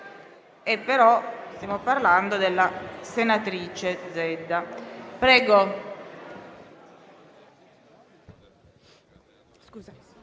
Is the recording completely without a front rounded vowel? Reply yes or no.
yes